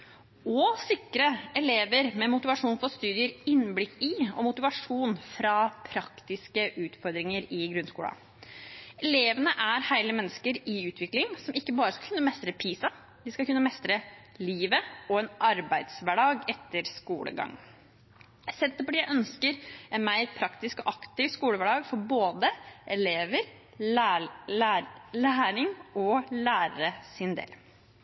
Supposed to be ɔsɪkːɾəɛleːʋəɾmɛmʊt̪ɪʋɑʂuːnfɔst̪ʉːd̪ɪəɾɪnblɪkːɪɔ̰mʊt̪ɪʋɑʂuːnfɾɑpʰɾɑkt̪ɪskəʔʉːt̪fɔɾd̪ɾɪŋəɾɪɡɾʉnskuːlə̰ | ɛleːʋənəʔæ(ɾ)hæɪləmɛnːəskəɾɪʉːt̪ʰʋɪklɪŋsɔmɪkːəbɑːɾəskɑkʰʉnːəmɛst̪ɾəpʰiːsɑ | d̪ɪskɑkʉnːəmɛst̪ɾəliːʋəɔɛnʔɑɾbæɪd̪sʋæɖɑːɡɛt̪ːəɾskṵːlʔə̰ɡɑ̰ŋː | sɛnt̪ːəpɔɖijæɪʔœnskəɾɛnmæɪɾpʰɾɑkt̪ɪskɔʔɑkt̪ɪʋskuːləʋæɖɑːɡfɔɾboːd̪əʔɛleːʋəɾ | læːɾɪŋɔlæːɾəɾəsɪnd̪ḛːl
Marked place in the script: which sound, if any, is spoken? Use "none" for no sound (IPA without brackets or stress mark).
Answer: ɾ